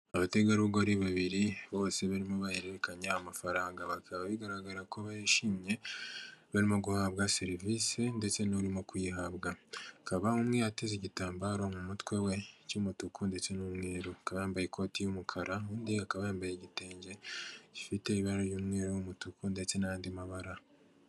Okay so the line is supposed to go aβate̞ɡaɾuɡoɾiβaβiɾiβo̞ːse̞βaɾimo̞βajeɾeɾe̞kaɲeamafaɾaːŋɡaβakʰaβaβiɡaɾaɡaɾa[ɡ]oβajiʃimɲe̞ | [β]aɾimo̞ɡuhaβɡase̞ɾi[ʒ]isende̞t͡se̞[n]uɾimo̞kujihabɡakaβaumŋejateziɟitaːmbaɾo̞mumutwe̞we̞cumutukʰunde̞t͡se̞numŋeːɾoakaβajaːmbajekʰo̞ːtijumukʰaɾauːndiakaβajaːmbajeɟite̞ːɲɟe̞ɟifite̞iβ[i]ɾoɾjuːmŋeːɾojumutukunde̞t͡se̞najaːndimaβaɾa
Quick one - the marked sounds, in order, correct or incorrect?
incorrect: k, correct, incorrect: v, correct, incorrect: a

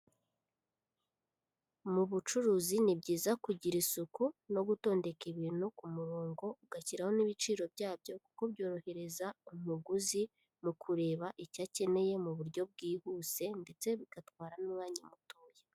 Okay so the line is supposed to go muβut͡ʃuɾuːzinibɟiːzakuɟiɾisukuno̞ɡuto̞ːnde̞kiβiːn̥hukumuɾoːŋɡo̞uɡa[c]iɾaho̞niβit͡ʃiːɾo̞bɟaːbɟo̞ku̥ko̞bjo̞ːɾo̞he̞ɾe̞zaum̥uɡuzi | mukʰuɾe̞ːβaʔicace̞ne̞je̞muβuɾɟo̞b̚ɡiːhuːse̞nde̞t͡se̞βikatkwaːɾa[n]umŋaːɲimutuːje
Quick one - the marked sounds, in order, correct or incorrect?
correct, correct

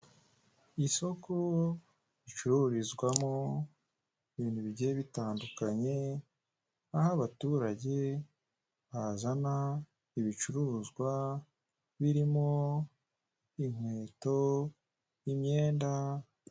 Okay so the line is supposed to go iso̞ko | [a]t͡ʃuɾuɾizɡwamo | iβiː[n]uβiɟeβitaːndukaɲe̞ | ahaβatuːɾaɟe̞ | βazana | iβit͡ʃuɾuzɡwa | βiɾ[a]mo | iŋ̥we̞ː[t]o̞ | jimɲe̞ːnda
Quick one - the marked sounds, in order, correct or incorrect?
incorrect: i, correct, incorrect: i, correct

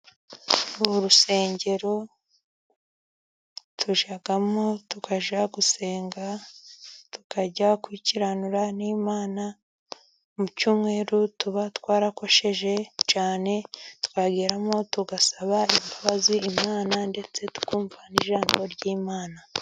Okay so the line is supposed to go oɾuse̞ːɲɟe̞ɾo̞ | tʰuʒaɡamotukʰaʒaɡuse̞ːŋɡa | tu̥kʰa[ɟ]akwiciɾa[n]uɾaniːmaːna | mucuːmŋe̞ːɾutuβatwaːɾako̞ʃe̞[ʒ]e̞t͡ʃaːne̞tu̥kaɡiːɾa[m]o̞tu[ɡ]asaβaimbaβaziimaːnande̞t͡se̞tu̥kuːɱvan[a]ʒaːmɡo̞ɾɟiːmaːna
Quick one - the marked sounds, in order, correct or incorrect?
correct, correct, correct, correct, correct, incorrect: i

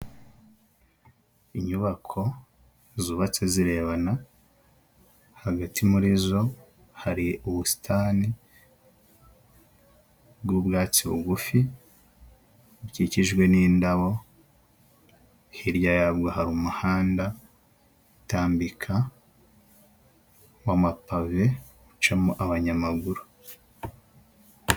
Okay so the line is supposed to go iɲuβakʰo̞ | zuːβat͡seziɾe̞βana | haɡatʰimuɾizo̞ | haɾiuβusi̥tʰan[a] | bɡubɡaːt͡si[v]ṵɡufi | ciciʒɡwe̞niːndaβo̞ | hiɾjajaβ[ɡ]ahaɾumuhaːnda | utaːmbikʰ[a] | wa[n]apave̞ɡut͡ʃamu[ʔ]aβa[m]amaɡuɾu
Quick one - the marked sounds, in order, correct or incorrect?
incorrect: i, incorrect: β, correct, correct, incorrect: m, correct, incorrect: ɲ

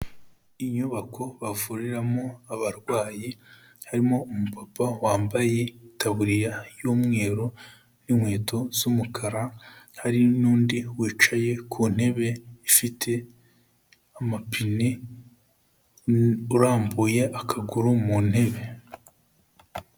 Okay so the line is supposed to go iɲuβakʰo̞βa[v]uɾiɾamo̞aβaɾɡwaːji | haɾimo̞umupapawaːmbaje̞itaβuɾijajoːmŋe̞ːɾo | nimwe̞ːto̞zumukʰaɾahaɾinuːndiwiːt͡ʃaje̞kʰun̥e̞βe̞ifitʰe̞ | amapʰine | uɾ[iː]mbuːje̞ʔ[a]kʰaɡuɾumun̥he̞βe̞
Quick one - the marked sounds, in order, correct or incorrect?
correct, incorrect: aː, correct

